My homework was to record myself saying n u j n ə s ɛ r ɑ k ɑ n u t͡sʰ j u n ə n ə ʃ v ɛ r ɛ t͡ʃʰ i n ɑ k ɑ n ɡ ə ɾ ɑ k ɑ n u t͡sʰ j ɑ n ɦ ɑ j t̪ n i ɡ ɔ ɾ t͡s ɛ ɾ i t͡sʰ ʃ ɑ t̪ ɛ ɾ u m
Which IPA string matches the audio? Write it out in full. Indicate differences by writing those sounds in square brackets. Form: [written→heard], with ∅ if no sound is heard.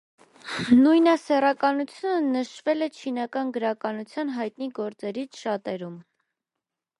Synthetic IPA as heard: n u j n [ə→ɑ] s ɛ r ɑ k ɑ n u t͡sʰ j u n ə n ə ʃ v ɛ [r→l] ɛ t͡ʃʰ i n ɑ k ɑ n ɡ ə ɾ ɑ k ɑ n u t͡sʰ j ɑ n ɦ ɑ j t̪ n i ɡ ɔ ɾ t͡s ɛ ɾ i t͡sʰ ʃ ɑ t̪ ɛ ɾ u m